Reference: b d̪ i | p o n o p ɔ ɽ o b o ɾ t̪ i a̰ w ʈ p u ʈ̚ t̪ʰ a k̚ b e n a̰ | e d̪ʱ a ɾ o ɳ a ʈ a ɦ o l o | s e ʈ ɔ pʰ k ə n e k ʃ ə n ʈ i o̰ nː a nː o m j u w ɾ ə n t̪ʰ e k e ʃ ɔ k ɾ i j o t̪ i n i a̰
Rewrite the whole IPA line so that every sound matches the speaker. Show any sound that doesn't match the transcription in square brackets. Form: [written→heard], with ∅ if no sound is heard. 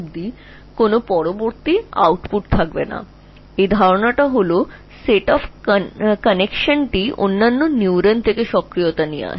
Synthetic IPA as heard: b d̪ i | [p→k] o n o p ɔ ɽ o b o ɾ t̪ i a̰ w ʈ p u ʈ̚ t̪ʰ a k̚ b e n a̰ | e d̪ʱ a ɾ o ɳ a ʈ a ɦ o l o | s e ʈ ɔ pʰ k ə n e k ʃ ə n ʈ i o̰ nː a nː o [m→n] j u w ɾ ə n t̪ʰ e k e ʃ ɔ k ɾ i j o t̪ [i→a] n i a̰